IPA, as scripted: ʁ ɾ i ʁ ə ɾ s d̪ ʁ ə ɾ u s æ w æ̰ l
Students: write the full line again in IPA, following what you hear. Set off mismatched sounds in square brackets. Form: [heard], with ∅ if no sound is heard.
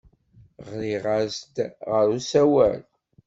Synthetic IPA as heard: ʁ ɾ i ʁ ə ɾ s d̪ ʁ ə ɾ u s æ w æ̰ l

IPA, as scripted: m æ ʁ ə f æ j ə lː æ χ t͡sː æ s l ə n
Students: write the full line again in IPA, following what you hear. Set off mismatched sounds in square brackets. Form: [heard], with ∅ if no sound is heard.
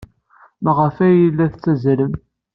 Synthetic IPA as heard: m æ ʁ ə f æ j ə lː æ [θ] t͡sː æ [z] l ə [m]

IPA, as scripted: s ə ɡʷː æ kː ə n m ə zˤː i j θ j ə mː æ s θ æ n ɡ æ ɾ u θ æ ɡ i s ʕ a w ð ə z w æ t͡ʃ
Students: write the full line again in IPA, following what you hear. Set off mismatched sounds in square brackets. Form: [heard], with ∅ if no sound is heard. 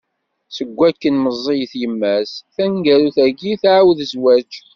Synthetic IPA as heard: s ə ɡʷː æ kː ə n m ə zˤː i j θ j ə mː æ s θ æ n ɡ æ ɾ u θ æ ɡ i [θ] ʕ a w ð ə z w æ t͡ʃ

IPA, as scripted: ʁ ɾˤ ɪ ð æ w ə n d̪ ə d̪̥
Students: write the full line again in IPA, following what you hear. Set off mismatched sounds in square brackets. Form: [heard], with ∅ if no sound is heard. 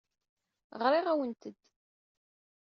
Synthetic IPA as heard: ʁ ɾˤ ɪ [ʁ] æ w ə n [t̪] ə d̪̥

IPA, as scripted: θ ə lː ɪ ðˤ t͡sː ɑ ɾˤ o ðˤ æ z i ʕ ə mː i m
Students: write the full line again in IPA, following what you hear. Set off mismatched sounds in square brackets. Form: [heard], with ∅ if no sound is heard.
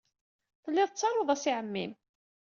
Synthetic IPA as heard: θ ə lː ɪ ðˤ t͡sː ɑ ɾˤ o ðˤ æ [s] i ʕ ə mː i m

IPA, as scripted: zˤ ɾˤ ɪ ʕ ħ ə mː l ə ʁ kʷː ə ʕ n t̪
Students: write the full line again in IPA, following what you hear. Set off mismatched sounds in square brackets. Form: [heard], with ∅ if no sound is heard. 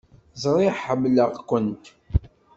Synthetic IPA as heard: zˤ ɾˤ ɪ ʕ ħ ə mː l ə ʁ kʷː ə [∅] n t̪

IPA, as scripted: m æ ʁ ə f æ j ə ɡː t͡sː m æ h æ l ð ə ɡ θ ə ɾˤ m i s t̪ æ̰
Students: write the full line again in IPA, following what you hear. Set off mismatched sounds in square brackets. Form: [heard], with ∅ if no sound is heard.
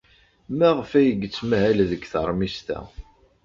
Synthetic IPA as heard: m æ ʁ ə f æ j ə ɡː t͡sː m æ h æ l ð ə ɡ θ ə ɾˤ m i s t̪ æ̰

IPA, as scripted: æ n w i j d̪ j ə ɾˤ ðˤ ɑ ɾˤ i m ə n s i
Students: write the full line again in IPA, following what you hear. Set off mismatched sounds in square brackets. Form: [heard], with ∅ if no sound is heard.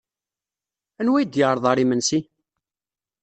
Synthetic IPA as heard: æ n w [æ] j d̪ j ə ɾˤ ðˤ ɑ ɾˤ i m ə n s i

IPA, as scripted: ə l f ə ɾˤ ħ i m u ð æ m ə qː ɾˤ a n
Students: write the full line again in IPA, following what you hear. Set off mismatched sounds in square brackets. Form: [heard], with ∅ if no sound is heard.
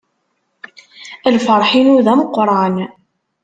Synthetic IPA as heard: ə l f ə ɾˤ ħ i [n] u ð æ m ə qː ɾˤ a n

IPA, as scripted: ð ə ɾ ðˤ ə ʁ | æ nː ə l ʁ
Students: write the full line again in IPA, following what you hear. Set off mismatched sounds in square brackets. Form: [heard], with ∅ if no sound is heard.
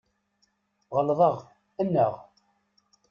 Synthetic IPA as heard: [ʁ] ə [l] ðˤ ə ʁ | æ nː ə [∅] ʁ

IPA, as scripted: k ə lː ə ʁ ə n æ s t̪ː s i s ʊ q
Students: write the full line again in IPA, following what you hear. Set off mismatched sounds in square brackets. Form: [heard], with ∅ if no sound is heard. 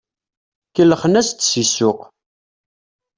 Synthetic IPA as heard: k ə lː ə [χ] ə n æ s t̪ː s i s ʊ q

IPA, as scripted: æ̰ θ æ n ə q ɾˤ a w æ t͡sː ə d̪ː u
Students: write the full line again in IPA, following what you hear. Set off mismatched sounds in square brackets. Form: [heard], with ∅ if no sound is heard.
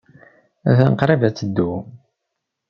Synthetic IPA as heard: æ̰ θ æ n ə q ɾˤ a [v] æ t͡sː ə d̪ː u

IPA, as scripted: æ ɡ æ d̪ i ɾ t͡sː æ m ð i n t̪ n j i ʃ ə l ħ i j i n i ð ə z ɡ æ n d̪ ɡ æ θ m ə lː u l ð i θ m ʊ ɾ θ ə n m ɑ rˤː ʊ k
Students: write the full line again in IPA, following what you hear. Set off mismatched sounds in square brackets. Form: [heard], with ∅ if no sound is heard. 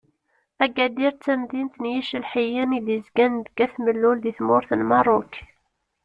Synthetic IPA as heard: æ ɡ æ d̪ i ɾ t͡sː æ m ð i n t̪ n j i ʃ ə l ħ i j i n i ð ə z ɡ æ n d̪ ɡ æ θ m ə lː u l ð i θ m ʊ ɾ θ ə n m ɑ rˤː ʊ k

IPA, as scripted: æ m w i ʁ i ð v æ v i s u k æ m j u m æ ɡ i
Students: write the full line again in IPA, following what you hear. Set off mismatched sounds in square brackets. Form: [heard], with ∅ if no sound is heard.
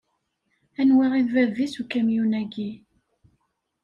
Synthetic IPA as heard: æ [n] w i ʁ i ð v æ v i s u k æ m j u [n] æ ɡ i

